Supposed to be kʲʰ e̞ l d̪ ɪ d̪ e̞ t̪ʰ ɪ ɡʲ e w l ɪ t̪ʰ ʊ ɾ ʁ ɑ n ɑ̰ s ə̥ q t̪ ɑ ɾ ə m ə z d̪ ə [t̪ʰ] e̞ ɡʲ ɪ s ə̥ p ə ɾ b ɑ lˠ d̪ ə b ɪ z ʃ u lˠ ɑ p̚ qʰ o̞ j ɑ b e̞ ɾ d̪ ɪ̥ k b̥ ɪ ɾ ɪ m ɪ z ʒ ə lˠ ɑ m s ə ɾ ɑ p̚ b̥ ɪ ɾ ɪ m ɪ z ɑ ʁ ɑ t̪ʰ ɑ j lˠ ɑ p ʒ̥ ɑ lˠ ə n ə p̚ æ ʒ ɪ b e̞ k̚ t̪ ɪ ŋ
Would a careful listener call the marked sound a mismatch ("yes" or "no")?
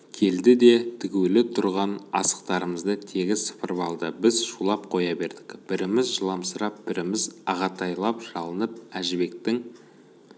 no